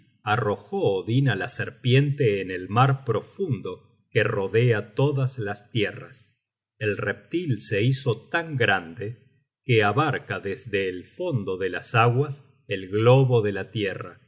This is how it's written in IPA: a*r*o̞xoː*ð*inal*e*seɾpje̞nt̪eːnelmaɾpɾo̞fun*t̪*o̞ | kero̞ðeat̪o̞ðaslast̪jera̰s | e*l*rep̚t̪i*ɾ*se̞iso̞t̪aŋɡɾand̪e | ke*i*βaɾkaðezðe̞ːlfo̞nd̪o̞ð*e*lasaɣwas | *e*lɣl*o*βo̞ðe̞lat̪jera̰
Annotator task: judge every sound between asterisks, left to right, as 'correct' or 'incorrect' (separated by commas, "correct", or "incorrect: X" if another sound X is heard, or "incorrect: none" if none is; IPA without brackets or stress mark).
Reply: correct, correct, incorrect: a, incorrect: d̪, correct, incorrect: l, incorrect: a, correct, correct, correct